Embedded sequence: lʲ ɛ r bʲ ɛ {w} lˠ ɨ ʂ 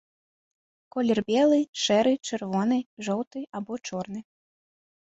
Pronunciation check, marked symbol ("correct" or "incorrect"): incorrect